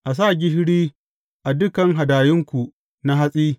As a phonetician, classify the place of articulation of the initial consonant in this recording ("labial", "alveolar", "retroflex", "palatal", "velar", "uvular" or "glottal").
glottal